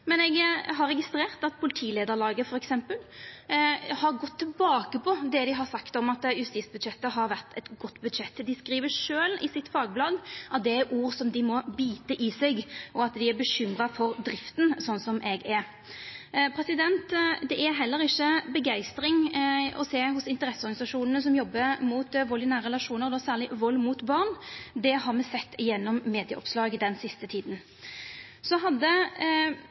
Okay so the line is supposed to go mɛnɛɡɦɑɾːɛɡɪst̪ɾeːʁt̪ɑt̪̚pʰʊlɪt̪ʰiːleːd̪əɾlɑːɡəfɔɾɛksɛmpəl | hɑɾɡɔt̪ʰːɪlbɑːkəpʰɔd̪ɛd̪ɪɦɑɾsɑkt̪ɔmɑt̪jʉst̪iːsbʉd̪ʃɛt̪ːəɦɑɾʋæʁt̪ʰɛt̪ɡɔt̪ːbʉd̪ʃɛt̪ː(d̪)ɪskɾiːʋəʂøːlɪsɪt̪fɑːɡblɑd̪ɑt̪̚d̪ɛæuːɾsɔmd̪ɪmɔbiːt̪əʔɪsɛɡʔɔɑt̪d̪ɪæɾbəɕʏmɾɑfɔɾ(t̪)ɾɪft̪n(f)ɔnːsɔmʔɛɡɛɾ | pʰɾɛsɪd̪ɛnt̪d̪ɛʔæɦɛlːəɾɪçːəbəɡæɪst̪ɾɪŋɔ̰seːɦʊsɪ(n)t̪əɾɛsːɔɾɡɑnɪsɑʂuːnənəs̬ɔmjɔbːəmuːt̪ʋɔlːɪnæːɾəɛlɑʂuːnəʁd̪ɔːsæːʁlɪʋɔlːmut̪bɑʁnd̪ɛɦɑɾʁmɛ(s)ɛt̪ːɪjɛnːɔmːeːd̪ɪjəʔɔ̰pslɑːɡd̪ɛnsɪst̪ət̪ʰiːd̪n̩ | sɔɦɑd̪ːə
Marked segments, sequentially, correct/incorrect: correct, incorrect, incorrect, correct, correct

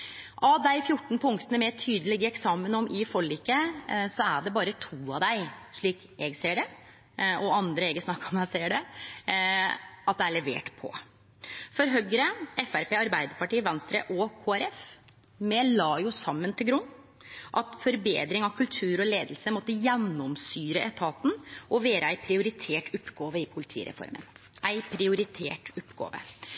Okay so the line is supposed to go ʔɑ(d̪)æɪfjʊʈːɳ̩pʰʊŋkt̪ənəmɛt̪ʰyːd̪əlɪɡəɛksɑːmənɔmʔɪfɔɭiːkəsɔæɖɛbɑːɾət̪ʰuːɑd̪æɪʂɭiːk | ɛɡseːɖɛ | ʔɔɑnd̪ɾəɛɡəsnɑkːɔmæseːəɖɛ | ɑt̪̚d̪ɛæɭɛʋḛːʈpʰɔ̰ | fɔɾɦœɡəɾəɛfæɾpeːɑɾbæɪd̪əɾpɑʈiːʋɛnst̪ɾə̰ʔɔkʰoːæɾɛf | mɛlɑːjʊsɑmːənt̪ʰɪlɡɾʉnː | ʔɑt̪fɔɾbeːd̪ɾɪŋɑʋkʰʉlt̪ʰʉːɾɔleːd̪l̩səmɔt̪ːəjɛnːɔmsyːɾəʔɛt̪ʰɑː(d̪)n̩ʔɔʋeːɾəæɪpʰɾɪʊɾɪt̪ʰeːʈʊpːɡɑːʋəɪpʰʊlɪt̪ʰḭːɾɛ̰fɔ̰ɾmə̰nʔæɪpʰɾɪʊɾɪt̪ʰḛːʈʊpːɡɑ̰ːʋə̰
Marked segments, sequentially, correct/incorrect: correct, incorrect

